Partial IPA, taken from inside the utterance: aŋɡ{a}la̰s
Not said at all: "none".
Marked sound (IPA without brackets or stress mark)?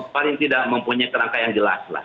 ə